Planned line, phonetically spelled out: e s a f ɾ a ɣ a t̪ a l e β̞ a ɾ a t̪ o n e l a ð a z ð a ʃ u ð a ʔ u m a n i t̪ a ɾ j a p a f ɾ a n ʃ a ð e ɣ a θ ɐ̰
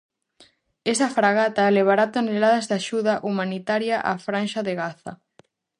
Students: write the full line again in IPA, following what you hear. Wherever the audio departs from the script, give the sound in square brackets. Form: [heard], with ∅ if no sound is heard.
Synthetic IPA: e s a f ɾ a ɣ a t̪ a l e β̞ a ɾ a t̪ o n e l a ð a z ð a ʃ u ð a ʔ u m a n i t̪ a ɾ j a [ʔ] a f ɾ a n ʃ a ð e ɣ a θ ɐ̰